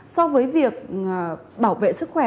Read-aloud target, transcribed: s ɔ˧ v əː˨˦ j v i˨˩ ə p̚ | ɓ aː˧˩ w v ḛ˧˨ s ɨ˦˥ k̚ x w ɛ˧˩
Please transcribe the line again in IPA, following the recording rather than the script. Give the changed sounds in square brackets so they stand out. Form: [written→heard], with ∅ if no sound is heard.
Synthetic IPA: s ɔ˧ v əː˨˦ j v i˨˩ ə [p̚→k̚] | ɓ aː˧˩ w v ḛ˧˨ s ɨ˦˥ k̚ x w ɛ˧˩

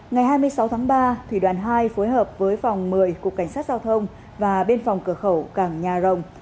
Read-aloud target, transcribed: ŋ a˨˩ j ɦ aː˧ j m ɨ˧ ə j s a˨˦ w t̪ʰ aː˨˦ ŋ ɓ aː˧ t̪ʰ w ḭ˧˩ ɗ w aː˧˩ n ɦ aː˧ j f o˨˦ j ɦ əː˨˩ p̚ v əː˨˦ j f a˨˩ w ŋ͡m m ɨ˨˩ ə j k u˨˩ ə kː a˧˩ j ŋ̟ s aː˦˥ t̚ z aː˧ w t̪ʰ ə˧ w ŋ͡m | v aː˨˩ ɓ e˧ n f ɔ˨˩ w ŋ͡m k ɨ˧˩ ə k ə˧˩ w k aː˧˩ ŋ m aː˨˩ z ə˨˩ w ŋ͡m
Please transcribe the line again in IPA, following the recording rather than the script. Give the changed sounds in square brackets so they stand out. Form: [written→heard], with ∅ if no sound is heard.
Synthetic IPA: ŋ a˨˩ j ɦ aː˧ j m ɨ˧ ə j s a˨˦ w t̪ʰ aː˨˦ ŋ ɓ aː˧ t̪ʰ w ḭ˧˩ ɗ w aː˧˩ n ɦ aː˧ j f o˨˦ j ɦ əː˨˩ p̚ v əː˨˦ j f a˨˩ w ŋ͡m m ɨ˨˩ ə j k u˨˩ ə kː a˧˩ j ŋ̟ s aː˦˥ t̚ z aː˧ w t̪ʰ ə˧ w ŋ͡m | v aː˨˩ ɓ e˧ n f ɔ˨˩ w ŋ͡m k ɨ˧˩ ə [k→x] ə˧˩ w k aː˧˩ ŋ [m→ɲ] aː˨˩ z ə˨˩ w ŋ͡m

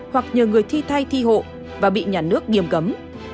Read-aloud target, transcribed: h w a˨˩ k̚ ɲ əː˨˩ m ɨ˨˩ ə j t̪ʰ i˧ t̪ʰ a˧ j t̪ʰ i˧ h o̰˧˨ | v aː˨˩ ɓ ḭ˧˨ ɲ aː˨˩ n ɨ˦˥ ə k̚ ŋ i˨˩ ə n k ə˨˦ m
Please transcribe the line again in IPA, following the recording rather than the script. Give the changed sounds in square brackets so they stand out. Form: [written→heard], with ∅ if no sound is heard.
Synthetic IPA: h w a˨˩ k̚ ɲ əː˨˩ [m→ŋ] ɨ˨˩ ə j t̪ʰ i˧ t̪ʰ a˧ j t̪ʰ i˧ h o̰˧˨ | v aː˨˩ ɓ ḭ˧˨ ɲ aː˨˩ n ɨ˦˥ ə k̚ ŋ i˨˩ ə [n→m] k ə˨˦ m

